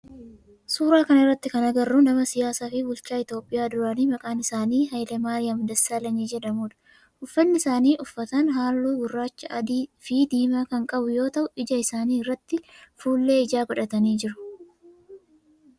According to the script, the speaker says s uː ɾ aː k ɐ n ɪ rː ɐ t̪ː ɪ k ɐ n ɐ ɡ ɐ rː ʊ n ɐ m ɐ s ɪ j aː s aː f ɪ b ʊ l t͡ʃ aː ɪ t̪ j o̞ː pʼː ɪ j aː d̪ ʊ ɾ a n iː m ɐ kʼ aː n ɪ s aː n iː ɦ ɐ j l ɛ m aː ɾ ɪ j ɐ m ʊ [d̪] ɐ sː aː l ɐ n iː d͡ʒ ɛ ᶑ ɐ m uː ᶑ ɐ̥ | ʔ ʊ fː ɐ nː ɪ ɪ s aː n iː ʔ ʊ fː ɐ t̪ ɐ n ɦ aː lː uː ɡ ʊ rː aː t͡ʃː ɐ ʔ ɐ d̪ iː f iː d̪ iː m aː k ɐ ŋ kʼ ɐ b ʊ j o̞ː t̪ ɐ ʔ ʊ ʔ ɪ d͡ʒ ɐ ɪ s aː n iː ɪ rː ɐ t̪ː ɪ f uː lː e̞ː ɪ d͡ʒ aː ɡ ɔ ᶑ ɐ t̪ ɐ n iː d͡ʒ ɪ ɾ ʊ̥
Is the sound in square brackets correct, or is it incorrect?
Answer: correct